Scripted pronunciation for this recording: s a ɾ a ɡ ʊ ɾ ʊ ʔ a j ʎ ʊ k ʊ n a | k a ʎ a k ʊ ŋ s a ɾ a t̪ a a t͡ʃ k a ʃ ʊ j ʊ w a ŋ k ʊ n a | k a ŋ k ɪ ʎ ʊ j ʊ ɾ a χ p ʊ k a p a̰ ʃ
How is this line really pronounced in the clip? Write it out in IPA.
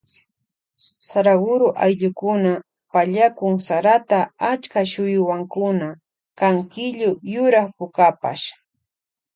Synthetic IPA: s a ɾ a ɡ ʊ ɾ ʊ ʔ a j ʎ ʊ k ʊ n a | p a ʎ a k ʊ ŋ s a ɾ a t̪ a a t͡ʃ k a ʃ ʊ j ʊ w a ŋ k ʊ n a | k a ŋ k ɪ ʎ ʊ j ʊ ɾ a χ p ʊ k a p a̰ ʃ

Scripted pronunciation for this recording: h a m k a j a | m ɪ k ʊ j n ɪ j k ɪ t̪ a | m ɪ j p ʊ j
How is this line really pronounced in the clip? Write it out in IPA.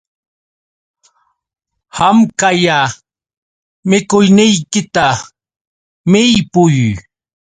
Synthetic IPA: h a m k a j a | m ɪ k ʊ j n ɪ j k ɪ t̪ a | m ɪ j p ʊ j

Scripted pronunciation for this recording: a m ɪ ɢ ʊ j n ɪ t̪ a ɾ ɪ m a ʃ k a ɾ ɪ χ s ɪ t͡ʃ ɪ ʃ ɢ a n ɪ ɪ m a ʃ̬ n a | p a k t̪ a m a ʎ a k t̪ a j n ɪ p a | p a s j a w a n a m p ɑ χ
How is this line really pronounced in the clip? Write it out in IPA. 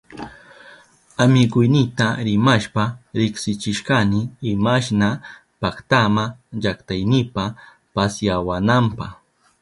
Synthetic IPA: a m ɪ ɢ ʊ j n ɪ t̪ a ɾ ɪ m a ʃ p a ɾ ɪ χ s ɪ t͡ʃ ɪ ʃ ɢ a n ɪ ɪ m a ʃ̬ n a | p a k t̪ a m a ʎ a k t̪ a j n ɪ p a | p a s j a w a n a m p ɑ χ

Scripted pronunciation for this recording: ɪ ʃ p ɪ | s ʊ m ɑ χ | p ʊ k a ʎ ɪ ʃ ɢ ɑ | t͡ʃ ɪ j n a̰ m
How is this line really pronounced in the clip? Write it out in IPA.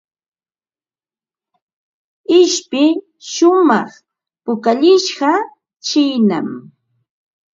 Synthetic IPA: ɪ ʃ p ɪ | ʃ ʊ m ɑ χ | p ʊ k a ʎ ɪ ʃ ɢ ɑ | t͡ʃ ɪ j n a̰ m

